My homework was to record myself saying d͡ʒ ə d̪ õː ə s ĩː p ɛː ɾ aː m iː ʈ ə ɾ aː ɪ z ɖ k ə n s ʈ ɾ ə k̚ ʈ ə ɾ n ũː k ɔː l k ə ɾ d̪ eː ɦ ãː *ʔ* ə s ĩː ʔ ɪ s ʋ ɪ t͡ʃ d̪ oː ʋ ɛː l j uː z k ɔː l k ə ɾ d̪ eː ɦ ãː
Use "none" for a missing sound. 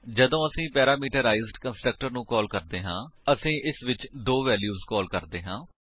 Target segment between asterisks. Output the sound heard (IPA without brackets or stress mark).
none